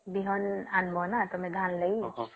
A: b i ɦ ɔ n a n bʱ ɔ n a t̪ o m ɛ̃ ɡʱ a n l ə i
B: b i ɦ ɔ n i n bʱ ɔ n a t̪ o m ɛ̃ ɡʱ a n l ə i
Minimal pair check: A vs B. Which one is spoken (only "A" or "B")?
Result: A